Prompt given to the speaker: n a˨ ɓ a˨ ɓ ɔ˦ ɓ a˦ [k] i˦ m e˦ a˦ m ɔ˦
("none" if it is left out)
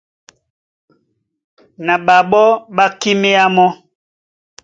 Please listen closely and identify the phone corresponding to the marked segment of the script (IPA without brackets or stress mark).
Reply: k